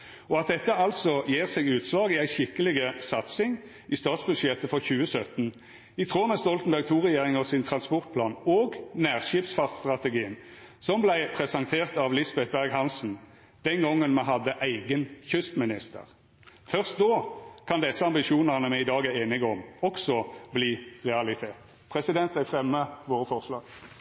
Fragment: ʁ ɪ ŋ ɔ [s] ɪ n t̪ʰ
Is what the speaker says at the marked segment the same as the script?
yes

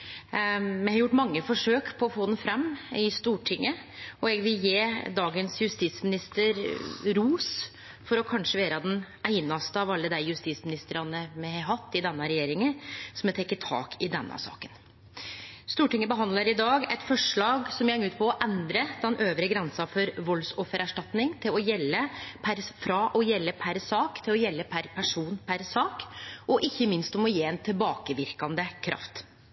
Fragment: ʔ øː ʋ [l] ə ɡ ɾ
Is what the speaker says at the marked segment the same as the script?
no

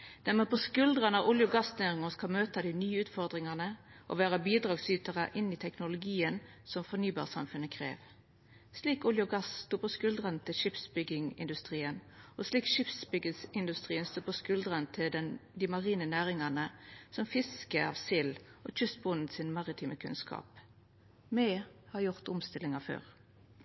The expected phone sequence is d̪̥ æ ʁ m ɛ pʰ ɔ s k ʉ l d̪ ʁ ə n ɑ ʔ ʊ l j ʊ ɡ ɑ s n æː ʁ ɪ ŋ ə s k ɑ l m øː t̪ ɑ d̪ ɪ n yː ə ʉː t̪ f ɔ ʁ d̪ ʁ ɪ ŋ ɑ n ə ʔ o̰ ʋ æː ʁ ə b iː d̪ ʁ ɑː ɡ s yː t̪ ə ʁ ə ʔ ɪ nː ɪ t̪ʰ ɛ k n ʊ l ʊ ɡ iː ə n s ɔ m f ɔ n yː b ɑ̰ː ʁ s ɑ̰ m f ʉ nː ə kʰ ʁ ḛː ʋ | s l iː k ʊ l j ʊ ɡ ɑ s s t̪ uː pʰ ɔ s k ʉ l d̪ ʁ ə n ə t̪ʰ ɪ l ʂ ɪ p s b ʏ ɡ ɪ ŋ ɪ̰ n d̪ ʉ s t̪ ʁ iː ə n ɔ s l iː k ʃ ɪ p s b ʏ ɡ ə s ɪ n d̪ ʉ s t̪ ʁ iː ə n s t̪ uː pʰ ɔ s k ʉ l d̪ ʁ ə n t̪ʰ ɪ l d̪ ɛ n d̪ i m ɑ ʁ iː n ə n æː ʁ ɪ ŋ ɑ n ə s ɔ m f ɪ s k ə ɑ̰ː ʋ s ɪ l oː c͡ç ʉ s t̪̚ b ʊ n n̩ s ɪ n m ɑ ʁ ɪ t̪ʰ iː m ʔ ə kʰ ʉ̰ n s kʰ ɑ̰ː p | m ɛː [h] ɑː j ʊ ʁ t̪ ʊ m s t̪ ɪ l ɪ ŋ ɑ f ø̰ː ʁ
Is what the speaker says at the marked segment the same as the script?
yes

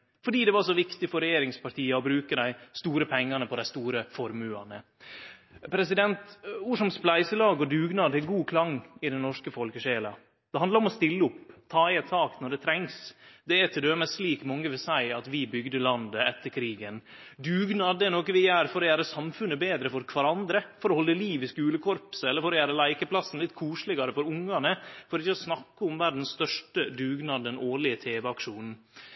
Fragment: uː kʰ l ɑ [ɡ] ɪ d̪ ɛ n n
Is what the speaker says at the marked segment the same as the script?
no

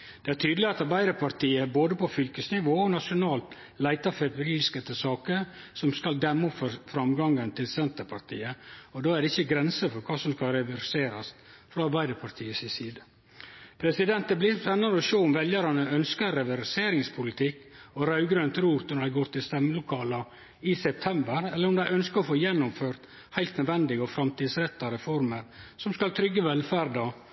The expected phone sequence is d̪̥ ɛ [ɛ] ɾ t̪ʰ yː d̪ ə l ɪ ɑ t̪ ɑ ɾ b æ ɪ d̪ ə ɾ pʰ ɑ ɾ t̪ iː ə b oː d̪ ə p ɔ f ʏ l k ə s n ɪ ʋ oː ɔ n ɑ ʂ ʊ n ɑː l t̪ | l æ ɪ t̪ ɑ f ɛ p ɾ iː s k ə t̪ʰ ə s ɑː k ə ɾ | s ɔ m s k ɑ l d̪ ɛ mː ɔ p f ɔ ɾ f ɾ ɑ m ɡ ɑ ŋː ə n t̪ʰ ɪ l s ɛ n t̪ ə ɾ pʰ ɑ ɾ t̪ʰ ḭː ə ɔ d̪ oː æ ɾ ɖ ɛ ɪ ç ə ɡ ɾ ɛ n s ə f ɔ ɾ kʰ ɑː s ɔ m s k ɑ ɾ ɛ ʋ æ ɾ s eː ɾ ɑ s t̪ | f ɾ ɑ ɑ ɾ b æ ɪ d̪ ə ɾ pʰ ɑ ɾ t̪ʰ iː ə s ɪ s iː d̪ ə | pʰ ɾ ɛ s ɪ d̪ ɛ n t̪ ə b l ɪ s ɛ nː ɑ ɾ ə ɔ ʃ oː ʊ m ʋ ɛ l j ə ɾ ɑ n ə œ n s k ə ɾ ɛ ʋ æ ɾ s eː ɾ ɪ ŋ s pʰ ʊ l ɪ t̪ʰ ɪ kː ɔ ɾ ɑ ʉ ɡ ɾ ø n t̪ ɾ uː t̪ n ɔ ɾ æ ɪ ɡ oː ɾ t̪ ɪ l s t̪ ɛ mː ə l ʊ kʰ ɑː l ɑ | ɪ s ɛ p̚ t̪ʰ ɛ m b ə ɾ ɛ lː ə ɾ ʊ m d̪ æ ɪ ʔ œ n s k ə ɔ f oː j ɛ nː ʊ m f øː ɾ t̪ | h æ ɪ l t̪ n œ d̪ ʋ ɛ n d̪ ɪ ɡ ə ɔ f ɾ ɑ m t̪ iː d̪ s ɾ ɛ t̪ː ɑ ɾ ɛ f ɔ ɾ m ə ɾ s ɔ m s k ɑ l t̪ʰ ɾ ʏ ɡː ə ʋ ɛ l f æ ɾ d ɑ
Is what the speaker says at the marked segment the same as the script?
no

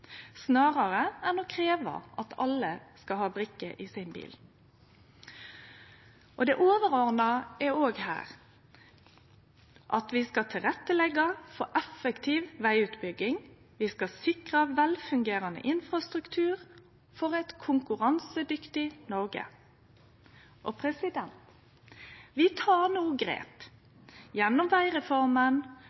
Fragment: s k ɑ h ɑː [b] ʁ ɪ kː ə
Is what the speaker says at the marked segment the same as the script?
yes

